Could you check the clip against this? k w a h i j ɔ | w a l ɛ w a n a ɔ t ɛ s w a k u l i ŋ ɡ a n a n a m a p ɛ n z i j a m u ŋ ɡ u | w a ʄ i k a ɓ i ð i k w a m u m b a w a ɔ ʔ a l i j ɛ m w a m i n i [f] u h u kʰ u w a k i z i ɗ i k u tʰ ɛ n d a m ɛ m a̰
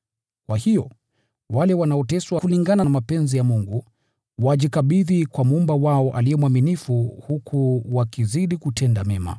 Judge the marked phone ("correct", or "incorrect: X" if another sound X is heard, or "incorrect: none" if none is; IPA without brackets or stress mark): correct